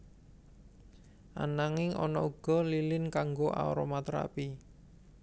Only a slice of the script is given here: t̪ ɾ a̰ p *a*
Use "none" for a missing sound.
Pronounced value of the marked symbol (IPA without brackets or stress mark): i